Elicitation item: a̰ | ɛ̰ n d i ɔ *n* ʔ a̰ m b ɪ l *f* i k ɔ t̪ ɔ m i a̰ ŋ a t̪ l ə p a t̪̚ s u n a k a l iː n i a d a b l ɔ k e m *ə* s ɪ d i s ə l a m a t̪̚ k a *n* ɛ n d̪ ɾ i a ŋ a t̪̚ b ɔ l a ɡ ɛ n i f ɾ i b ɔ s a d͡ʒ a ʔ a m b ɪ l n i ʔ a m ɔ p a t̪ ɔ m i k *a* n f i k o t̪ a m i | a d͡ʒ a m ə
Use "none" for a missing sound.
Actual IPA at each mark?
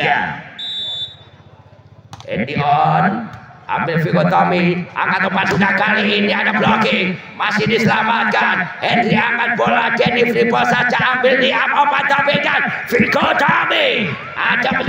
n, f, a, n, a

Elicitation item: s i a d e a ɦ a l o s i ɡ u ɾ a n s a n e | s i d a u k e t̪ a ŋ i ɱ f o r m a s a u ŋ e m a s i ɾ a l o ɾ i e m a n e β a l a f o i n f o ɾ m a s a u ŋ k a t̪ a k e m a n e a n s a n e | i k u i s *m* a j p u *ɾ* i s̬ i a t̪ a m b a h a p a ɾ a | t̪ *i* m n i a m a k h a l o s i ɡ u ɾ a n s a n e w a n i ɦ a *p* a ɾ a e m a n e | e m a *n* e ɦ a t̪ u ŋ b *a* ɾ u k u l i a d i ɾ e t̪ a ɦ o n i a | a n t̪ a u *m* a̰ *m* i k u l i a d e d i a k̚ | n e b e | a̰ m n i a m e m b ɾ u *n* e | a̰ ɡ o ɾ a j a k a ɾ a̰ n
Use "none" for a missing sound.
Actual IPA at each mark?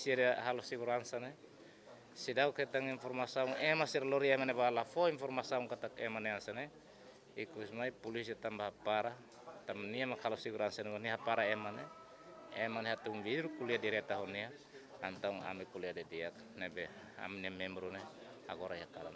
m, l, a, p, n, i, ŋ, m, n

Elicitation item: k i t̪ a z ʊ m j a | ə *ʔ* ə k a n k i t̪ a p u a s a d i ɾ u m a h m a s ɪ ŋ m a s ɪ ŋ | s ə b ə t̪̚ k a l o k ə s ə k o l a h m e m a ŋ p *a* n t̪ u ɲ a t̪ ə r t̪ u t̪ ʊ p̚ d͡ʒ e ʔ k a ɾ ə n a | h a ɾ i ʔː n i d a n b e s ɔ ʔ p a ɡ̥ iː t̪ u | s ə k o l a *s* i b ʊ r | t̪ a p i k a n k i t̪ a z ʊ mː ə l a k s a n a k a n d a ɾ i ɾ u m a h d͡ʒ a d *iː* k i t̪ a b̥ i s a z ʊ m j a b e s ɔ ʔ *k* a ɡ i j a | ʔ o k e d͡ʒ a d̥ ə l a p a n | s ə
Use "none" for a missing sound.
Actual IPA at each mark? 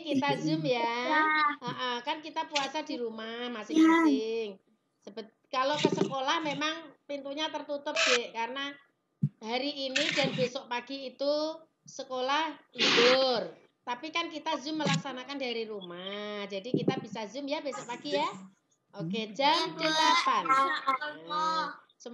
ʔ, i, h, i, p

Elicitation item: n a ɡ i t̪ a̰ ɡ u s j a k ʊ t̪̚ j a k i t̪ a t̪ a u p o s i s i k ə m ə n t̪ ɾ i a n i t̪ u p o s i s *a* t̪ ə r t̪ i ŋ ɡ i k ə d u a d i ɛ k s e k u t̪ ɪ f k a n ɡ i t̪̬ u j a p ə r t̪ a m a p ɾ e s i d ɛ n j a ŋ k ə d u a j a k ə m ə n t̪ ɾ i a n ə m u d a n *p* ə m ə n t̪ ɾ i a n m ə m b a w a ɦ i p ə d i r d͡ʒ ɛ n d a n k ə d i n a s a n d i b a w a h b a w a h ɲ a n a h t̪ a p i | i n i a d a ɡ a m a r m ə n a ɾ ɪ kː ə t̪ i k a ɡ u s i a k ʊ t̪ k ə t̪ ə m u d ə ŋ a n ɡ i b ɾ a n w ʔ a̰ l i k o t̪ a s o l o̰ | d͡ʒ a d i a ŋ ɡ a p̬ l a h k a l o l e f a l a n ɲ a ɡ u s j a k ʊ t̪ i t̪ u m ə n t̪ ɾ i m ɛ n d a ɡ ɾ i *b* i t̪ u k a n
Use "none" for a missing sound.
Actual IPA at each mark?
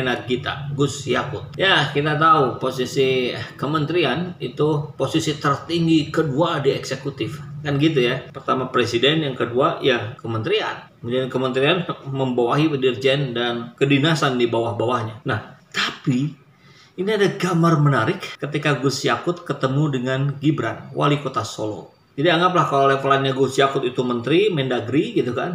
i, k, ɡ

